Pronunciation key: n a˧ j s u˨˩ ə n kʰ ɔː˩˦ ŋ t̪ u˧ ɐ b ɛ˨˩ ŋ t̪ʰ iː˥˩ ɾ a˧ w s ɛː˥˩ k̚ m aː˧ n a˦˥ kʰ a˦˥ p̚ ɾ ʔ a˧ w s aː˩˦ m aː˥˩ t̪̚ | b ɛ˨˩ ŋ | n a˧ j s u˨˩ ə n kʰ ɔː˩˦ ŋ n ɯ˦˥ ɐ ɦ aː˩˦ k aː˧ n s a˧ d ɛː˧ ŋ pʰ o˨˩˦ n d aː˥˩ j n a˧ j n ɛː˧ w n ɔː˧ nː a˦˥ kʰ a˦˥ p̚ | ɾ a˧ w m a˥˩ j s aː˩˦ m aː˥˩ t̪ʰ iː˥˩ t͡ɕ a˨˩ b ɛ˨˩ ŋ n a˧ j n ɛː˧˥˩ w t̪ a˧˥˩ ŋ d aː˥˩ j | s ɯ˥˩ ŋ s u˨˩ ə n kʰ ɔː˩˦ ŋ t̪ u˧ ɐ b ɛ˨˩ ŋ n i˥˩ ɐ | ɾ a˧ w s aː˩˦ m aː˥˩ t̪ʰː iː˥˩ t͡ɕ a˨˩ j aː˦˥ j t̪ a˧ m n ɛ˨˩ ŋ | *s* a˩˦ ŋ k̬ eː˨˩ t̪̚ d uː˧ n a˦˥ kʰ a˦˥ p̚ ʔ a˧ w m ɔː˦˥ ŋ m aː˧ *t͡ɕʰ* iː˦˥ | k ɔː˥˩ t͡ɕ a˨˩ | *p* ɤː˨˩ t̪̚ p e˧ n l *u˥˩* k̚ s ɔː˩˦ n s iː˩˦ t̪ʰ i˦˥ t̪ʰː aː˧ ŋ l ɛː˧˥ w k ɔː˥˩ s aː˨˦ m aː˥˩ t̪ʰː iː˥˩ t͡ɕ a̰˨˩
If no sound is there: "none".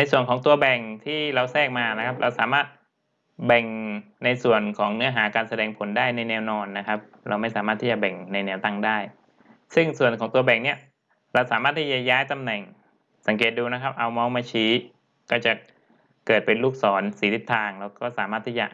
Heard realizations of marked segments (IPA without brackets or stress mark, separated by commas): s, t͡ɕʰ, k, uː˥˩